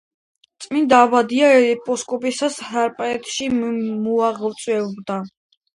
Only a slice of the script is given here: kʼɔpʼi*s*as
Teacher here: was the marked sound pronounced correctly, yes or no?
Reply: yes